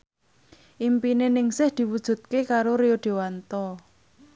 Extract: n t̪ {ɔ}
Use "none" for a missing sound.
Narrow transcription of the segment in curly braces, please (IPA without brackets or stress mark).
ɔ